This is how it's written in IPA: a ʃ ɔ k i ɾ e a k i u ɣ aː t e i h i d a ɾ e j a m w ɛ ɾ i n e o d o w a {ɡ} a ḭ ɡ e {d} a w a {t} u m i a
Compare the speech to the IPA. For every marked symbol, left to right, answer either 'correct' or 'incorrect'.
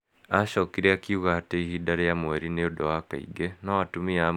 incorrect, incorrect, correct

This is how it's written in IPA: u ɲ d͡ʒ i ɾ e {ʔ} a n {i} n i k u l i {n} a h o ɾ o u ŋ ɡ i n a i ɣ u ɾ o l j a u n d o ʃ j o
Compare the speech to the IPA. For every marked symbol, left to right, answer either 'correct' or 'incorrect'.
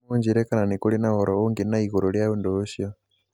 incorrect, incorrect, correct

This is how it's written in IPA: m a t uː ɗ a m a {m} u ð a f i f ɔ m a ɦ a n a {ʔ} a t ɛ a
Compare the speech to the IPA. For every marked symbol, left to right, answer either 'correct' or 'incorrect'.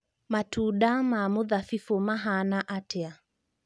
correct, correct

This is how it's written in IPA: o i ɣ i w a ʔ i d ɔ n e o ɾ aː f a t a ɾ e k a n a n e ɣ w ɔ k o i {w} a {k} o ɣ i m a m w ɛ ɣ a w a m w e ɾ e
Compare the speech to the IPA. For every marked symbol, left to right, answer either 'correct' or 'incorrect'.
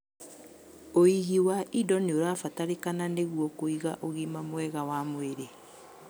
incorrect, incorrect

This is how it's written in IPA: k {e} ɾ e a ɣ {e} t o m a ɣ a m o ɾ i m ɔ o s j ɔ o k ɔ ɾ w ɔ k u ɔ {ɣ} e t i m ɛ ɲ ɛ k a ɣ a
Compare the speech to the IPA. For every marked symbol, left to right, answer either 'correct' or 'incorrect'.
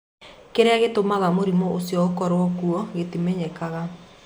correct, correct, correct

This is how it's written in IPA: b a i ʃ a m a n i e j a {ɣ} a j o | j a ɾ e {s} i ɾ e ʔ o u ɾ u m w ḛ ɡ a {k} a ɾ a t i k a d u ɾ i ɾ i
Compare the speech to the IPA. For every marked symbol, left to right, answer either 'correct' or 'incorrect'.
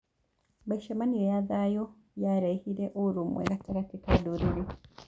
incorrect, incorrect, incorrect

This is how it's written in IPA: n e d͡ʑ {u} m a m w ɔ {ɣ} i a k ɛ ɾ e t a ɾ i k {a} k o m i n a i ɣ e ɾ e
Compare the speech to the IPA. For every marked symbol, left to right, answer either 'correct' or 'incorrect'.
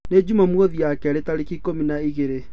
correct, incorrect, incorrect

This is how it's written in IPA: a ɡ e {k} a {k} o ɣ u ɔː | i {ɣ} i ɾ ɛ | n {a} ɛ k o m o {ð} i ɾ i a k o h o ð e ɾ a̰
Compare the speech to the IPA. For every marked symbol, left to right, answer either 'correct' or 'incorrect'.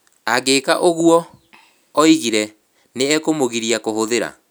correct, incorrect, correct, incorrect, incorrect

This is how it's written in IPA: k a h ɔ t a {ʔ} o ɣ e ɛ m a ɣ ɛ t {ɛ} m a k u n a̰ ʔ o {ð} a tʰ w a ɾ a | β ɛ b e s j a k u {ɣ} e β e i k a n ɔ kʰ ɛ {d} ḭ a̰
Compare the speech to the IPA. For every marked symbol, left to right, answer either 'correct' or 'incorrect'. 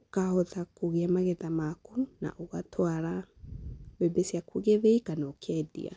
incorrect, incorrect, incorrect, correct, correct

